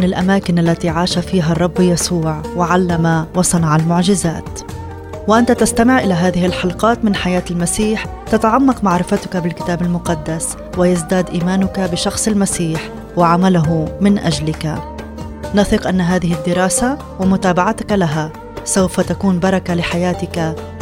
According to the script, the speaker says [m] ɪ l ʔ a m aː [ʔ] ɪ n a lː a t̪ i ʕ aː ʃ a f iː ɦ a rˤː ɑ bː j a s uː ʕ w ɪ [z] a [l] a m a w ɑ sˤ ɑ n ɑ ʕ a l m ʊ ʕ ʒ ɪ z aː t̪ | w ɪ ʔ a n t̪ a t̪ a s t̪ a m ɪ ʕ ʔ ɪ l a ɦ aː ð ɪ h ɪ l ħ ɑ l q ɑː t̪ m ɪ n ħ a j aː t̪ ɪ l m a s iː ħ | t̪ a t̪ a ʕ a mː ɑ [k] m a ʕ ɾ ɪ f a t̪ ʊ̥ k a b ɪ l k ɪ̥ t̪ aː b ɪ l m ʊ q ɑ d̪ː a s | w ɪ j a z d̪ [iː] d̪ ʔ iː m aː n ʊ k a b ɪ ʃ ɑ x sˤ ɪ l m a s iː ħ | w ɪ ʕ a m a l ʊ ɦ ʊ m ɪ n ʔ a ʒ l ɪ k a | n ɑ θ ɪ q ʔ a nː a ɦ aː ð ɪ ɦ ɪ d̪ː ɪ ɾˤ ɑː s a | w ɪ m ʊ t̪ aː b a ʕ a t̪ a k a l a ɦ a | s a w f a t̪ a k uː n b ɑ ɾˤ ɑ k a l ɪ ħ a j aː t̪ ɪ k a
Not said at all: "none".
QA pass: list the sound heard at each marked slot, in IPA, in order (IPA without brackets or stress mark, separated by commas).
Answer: n, k, ʕ, lː, q, aː